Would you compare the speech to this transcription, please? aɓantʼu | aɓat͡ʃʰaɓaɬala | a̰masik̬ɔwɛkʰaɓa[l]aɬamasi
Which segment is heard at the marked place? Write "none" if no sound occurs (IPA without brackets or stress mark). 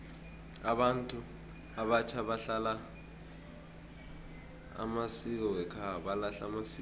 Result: l